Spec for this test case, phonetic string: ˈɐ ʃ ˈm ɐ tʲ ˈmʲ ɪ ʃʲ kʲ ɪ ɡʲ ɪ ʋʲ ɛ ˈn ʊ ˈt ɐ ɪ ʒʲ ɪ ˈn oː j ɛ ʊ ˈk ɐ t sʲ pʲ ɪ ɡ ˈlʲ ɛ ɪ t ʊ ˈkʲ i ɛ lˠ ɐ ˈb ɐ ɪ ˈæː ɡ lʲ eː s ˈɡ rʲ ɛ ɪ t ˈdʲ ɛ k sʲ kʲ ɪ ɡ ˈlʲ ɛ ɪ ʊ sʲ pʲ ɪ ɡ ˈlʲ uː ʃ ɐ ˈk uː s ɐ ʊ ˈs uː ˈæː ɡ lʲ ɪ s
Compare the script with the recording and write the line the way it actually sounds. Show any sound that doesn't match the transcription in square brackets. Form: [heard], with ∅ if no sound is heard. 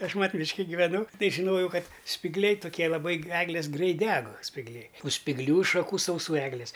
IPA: ˈɐ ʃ ˈm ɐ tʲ ˈmʲ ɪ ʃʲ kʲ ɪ ɡʲ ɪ ʋʲ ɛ ˈn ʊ ˈt ɐ ɪ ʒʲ ɪ ˈn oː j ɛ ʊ ˈk ɐ t sʲ pʲ ɪ ɡ ˈlʲ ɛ ɪ t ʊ ˈkʲ i ɛ lˠ ɐ ˈb ɐ ɪ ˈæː ɡ lʲ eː s ˈɡ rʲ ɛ ɪ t ˈdʲ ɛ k sʲ [pʲ] ɪ ɡ ˈlʲ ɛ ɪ ʊ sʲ pʲ ɪ ɡ ˈlʲ uː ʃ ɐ ˈk uː s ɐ ʊ ˈs uː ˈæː ɡ lʲ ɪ s

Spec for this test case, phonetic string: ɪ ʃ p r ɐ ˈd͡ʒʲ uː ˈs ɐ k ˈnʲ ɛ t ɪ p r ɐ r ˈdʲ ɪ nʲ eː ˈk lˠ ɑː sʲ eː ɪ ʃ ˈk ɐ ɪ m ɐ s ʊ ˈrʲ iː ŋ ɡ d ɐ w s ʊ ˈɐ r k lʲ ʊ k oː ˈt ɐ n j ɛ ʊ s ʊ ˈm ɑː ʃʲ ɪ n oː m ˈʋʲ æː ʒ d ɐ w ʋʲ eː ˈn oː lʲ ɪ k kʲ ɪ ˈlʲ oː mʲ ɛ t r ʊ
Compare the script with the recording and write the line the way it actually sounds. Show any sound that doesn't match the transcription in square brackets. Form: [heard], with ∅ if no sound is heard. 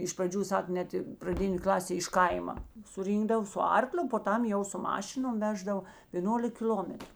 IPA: ɪ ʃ p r ɐ ˈd͡ʒʲ uː ˈs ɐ k ˈnʲ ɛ t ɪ p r ɐ [∅] ˈdʲ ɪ nʲ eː ˈk lˠ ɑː sʲ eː ɪ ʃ ˈk ɐ ɪ m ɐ s ʊ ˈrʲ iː ŋ ɡ d ɐ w s ʊ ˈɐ r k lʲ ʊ [p] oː ˈt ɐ [m] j ɛ ʊ s ʊ ˈm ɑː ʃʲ ɪ n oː m ˈʋʲ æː ʒ d ɐ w ʋʲ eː ˈn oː lʲ ɪ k kʲ ɪ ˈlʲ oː mʲ ɛ t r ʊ

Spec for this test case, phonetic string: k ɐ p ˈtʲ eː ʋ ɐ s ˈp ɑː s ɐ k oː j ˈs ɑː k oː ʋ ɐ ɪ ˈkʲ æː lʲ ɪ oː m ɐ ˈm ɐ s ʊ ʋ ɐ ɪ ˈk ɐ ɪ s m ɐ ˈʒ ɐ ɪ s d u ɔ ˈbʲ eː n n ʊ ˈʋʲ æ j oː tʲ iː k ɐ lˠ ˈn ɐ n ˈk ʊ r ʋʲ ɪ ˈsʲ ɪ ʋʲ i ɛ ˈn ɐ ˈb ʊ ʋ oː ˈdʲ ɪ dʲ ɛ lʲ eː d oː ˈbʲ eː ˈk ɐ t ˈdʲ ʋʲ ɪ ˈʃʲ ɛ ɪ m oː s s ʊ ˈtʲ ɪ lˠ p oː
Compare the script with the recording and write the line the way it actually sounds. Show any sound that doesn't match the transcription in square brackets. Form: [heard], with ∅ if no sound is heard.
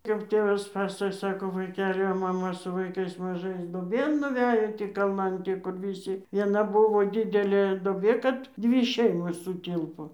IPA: k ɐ p ˈtʲ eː ʋ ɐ s ˈp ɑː s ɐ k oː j ˈs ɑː k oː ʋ ɐ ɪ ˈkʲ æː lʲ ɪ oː m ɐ ˈm ɐ s ʊ ʋ ɐ ɪ ˈk ɐ ɪ s m ɐ ˈʒ ɐ ɪ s d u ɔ ˈbʲ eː n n ʊ ˈʋʲ æ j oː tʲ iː k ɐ lˠ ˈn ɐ n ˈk ʊ r ʋʲ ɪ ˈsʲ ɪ ʋʲ i ɛ ˈn ɐ ˈb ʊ ʋ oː ˈdʲ ɪ dʲ ɛ lʲ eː d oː ˈbʲ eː ˈk ɐ t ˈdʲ ʋʲ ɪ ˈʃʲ ɛ ɪ m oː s s ʊ ˈtʲ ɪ lˠ p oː

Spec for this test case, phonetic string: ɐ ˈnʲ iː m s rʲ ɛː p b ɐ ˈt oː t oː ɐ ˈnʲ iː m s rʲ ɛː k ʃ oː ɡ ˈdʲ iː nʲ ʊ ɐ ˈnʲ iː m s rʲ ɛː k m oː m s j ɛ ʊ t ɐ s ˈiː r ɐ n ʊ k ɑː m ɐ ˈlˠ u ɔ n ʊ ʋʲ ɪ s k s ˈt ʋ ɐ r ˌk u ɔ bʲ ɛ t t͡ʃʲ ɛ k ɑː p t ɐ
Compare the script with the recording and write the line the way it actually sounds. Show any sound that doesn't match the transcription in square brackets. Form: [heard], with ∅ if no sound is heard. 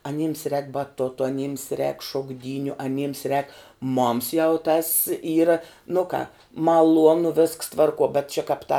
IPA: ɐ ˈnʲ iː m s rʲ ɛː [k] b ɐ ˈt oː t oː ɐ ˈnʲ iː m s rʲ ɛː k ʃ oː ɡ ˈdʲ iː nʲ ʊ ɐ ˈnʲ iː m s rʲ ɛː k m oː m s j ɛ ʊ t ɐ s ˈiː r ɐ n ʊ k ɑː m ɐ ˈlˠ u ɔ n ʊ ʋʲ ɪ s k s ˈt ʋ ɐ r ˌk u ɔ bʲ ɛ t t͡ʃʲ ɛ k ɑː p t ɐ

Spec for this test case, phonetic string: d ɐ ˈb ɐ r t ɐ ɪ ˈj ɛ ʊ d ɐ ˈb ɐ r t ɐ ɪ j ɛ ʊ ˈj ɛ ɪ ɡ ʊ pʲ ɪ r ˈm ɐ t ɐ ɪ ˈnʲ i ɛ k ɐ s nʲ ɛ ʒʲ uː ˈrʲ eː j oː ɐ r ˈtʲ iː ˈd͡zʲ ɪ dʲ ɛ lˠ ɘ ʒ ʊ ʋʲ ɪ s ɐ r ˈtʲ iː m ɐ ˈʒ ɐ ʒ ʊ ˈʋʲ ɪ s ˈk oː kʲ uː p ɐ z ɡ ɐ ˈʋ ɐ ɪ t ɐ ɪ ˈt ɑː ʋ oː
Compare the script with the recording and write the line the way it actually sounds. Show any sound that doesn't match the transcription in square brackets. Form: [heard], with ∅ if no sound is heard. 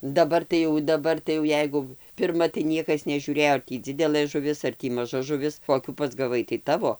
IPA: d ɐ ˈb ɐ r t ɐ ɪ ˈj ɛ ʊ d ɐ ˈb ɐ r t ɐ ɪ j ɛ ʊ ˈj ɛ ɪ ɡ ʊ pʲ ɪ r ˈm ɐ t ɐ ɪ ˈnʲ i ɛ k ɐ s nʲ ɛ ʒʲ uː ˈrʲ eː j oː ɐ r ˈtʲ iː ˈd͡zʲ ɪ dʲ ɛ lˠ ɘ ʒ ʊ ʋʲ ɪ s ɐ r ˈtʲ iː m ɐ ˈʒ ɐ ʒ ʊ ˈʋʲ ɪ s ˈk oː kʲ uː p ɐ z ɡ ɐ ˈʋ ɐ ɪ t ɐ ɪ ˈt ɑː ʋ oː

